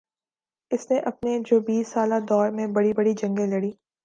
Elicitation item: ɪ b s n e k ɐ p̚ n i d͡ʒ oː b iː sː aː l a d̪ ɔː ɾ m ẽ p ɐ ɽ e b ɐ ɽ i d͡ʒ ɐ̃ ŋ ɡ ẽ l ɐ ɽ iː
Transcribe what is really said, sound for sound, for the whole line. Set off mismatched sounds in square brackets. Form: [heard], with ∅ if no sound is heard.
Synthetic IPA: ɪ [∅] s n e [ʔ] ɐ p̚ n [e] d͡ʒ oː b iː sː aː l a d̪ ɔː ɾ m ẽ [b] ɐ ɽ [i] b ɐ ɽ i d͡ʒ ɐ̃ ŋ ɡ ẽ l ɐ ɽ iː